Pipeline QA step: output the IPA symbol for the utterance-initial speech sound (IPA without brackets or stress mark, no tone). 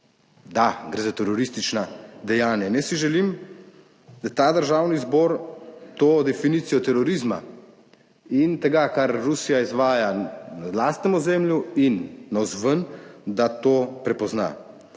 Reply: d̪